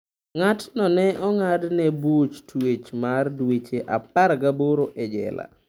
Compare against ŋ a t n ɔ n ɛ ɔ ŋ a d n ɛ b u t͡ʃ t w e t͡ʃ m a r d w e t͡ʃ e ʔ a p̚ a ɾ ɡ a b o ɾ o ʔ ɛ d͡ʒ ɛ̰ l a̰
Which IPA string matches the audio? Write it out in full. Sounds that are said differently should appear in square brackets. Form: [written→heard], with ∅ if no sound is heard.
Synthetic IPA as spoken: ŋ a t n ɔ n ɛ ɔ ŋ a d n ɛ b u t͡ʃ t w e t͡ʃ m a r d w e t͡ʃ e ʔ a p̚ a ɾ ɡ a b o ɾ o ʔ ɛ d͡ʒ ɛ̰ l a̰